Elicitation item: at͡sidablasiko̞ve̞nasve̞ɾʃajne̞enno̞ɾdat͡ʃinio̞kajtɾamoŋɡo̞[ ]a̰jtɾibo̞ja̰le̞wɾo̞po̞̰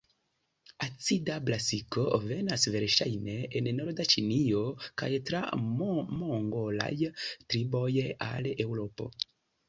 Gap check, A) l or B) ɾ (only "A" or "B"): A